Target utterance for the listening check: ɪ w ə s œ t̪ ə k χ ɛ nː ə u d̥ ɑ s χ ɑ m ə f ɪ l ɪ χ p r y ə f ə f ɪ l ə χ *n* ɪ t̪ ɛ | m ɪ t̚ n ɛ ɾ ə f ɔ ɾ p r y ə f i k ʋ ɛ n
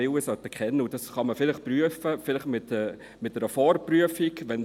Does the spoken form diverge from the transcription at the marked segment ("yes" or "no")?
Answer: yes